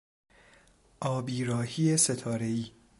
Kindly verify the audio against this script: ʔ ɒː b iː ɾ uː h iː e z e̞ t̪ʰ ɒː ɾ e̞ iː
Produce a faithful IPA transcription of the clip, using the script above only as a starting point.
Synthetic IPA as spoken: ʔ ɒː b iː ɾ ɒː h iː e s e̞ t̪ʰ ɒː ɾ e̞ iː

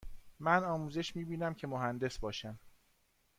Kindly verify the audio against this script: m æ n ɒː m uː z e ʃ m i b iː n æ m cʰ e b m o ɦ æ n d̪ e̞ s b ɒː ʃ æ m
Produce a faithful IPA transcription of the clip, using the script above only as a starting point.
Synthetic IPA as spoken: m æ n ɒː m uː z e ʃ m iː b iː n æ m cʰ e m o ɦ æ n d̪ e̞ s b ɒː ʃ æ m

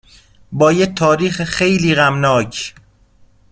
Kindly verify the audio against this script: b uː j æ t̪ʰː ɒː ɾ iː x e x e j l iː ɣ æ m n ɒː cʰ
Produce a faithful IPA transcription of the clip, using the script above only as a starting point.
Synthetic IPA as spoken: b ɒː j e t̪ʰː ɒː ɾ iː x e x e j l iː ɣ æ m n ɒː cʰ

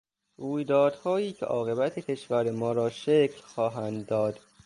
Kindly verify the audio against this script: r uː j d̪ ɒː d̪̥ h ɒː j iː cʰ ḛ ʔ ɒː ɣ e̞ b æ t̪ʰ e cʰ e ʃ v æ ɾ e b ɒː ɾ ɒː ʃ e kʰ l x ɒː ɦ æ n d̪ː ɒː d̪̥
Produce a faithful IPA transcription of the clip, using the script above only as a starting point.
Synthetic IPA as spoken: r uː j d̪ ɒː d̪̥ h ɒː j iː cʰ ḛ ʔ ɒː ɣ e̞ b æ t̪ʰ e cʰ e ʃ v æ ɾ e m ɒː ɾ ɒː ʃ e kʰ l x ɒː ɦ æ n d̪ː ɒː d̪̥

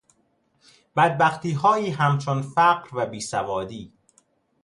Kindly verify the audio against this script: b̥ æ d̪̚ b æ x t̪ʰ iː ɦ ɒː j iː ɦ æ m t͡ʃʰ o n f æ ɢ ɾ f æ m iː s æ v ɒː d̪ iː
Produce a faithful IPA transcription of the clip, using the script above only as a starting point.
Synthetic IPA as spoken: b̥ æ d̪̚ b æ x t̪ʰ iː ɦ ɒː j iː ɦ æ m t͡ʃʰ o n f æ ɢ ɾ v æ b iː s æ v ɒː d̪ iː

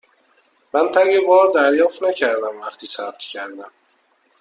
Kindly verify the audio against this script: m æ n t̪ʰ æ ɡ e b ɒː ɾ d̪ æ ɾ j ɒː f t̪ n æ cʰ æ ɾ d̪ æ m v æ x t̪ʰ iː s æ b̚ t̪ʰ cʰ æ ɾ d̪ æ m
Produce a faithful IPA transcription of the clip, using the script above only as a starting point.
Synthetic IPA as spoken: m æ n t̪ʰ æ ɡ e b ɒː ɾ d̪ æ ɾ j ɒː f t̪ n æ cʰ æ ɾ d̪ æ m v æ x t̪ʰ iː s æ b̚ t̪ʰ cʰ æ ɾ d̪ æ m

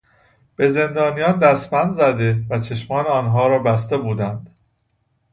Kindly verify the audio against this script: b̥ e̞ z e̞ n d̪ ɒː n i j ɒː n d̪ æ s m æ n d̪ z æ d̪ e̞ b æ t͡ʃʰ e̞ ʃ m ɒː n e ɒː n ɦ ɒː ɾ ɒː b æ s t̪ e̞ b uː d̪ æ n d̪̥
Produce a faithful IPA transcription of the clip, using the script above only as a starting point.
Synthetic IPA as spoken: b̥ e̞ z e̞ n d̪ ɒː n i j ɒː n d̪ æ s m æ n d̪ z æ d̪ e̞ v æ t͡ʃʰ e̞ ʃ m ɒː n e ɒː n ɦ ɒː ɾ ɒː b æ s t̪ e̞ b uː d̪ æ n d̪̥

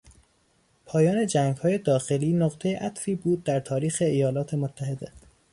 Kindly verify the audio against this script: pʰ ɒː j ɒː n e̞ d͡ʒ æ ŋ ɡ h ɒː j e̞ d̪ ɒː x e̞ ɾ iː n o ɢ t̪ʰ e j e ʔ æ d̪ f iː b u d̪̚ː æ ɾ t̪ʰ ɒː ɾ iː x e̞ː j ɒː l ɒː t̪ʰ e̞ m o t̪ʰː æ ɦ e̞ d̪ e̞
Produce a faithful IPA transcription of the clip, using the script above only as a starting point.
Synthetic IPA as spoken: pʰ ɒː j ɒː n e̞ d͡ʒ æ ŋ ɡ h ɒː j e̞ d̪ ɒː x e̞ l iː n o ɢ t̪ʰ e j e ʔ æ t̪ f iː b uː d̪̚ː æ ɾ t̪ʰ ɒː ɾ iː x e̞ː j ɒː l ɒː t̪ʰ e̞ m o t̪ʰː æ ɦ e̞ d̪ e̞

